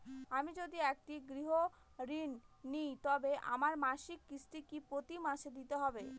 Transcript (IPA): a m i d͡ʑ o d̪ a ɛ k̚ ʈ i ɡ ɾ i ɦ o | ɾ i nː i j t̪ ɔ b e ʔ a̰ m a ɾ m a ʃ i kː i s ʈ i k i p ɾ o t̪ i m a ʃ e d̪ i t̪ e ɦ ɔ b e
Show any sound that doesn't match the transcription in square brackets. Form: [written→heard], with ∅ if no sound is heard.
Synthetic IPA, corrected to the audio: a m i d͡ʑ o d̪ [a→i] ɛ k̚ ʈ i ɡ ɾ i ɦ o | ɾ i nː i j t̪ ɔ b e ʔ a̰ m a ɾ m a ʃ i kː i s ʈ i k i p ɾ o t̪ i m a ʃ e d̪ i t̪ e ɦ ɔ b e